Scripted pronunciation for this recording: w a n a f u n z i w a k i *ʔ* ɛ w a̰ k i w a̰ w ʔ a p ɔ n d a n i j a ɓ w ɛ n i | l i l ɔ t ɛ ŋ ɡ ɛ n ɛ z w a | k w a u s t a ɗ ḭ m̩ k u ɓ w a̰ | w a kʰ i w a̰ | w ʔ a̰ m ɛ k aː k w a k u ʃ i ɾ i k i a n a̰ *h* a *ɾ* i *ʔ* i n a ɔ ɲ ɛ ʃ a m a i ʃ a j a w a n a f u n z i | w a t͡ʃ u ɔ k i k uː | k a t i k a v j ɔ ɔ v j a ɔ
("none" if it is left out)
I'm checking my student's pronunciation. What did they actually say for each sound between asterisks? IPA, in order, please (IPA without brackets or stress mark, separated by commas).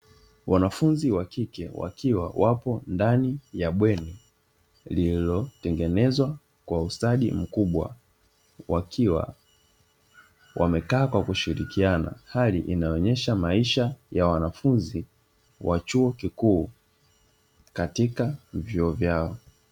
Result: k, h, l, ʔ